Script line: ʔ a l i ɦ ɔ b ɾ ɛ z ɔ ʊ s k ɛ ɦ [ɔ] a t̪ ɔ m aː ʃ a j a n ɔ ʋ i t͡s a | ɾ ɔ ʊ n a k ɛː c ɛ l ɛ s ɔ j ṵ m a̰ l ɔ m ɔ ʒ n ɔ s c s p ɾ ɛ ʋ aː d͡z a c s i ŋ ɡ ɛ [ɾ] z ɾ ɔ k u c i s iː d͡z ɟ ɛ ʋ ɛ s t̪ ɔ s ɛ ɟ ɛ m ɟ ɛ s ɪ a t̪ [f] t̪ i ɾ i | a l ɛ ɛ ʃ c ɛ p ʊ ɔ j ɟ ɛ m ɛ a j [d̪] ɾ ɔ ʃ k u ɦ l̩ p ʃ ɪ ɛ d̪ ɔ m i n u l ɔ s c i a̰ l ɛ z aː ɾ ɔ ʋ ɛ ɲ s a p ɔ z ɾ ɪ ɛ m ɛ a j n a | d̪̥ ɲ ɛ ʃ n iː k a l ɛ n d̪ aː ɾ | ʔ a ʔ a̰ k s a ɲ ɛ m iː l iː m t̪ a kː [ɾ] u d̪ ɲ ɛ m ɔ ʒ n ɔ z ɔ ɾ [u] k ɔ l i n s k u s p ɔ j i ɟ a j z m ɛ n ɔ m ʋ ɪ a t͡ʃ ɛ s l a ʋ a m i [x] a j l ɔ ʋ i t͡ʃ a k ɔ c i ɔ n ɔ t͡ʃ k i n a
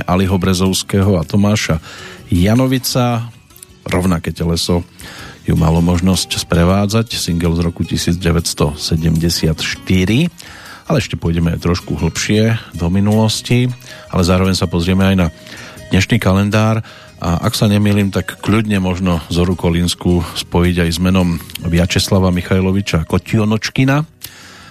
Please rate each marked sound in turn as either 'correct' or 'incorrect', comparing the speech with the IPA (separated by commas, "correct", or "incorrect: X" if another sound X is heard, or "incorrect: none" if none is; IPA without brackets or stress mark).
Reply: correct, incorrect: l, incorrect: ʃ, incorrect: t̪, incorrect: ʎ, correct, correct